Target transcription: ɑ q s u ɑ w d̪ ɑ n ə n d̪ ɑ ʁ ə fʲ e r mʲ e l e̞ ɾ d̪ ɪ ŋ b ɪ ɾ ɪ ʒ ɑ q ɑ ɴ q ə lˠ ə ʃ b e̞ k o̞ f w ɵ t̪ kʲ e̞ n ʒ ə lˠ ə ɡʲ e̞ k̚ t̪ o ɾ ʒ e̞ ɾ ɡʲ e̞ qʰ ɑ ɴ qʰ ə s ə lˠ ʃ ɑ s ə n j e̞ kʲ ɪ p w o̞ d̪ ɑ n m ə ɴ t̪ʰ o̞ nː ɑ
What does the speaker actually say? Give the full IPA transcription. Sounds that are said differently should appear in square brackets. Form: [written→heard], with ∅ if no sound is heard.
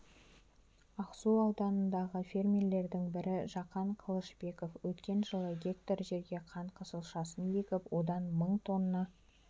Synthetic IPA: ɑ q s u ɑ w d̪ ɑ n ə n d̪ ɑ ʁ ə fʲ e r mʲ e l e̞ ɾ d̪ ɪ ŋ b ɪ ɾ ɪ ʒ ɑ q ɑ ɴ [q→qʰ] ə lˠ ə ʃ b e̞ k o̞ f w ɵ t̪ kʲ e̞ n ʒ ə lˠ ə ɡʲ e̞ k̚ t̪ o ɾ ʒ e̞ ɾ ɡʲ e̞ qʰ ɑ ɴ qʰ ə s ə lˠ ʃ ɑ s ə n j e̞ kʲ ɪ p w o̞ d̪ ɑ n m ə ɴ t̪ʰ o̞ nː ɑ